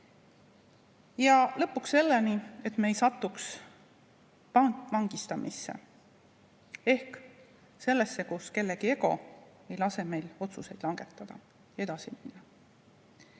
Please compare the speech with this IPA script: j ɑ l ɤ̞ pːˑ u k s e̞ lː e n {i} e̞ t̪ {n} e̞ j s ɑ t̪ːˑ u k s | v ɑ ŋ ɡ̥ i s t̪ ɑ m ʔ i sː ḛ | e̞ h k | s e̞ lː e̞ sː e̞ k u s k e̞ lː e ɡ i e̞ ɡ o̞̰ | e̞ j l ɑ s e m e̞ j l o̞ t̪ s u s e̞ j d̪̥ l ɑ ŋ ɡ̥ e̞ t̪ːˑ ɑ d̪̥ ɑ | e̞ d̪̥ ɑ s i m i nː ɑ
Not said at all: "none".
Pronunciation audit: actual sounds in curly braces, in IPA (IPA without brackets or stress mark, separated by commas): i, m